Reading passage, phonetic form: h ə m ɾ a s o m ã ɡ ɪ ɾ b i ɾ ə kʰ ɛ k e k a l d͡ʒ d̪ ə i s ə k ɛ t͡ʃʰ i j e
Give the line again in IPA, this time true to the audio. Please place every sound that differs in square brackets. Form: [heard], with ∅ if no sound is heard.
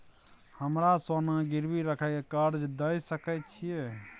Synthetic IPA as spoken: h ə m ɾ a s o [n] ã ɡ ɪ ɾ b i ɾ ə kʰ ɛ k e k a [ɾ] d͡ʒ d̪ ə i s ə k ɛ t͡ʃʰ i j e